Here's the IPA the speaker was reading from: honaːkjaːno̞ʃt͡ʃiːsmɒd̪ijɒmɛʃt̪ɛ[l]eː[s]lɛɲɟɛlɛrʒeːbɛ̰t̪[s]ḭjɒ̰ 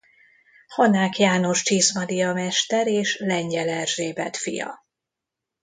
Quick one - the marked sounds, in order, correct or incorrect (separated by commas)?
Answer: incorrect, incorrect, incorrect